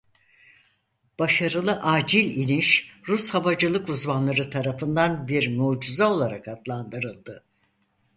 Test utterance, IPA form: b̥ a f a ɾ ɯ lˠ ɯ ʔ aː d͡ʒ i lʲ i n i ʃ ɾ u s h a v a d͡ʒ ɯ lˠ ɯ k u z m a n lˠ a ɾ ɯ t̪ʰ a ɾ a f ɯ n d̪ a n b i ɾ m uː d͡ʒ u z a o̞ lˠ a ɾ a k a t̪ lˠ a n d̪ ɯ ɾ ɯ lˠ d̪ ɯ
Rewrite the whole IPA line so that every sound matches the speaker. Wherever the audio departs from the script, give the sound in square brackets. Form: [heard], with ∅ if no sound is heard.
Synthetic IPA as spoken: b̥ a [ʃ] a ɾ ɯ lˠ ɯ ʔ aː d͡ʒ i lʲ i n i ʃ ɾ u s h a v a d͡ʒ ɯ lˠ ɯ k u z m a n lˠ a ɾ ɯ t̪ʰ a ɾ a f ɯ n d̪ a n b i ɾ m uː d͡ʒ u z a o̞ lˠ a ɾ a k a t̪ lˠ a n d̪ ɯ ɾ ɯ lˠ d̪ ɯ

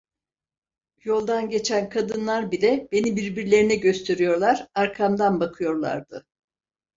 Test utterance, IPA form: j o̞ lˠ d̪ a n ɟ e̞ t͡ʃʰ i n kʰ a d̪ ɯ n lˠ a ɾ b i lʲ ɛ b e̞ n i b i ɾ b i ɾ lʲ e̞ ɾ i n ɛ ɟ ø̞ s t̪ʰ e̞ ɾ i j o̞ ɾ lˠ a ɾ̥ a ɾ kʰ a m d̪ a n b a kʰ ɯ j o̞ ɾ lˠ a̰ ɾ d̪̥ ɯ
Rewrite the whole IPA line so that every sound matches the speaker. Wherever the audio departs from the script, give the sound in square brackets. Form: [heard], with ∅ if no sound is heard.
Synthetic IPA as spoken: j o̞ lˠ d̪ a n ɟ e̞ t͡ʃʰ [æ] n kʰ a d̪ ɯ n lˠ a ɾ b i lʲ ɛ b e̞ n i b i ɾ b i ɾ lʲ e̞ ɾ i n ɛ ɟ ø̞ s t̪ʰ e̞ ɾ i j o̞ ɾ lˠ a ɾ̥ a ɾ kʰ a m d̪ a n b a kʰ ɯ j o̞ ɾ lˠ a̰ ɾ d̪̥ ɯ

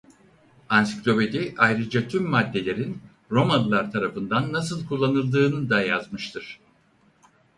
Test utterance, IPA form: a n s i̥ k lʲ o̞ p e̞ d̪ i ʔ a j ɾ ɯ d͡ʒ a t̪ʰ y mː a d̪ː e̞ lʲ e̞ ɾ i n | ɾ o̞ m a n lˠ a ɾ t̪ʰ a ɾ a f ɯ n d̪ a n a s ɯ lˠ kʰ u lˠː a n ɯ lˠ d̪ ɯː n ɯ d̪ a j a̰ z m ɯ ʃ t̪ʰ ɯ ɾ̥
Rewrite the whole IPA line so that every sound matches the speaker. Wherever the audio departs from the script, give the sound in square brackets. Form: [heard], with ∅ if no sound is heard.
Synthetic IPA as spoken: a n s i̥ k lʲ o̞ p e̞ d̪ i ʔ a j ɾ ɯ d͡ʒ a t̪ʰ y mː a d̪ː e̞ lʲ e̞ ɾ i n | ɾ o̞ m a n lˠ a ɾ t̪ʰ a ɾ a f ɯ n d̪ a [nː] a s ɯ lˠ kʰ u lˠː a n ɯ lˠ d̪ ɯː n ɯ d̪ a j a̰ z m ɯ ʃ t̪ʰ ɯ ɾ̥

